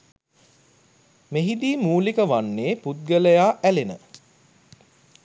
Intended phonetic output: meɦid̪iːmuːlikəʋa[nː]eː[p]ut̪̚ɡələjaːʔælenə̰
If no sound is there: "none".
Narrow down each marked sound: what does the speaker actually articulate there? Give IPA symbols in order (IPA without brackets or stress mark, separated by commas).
nː, p